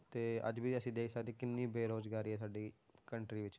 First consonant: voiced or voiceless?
voiceless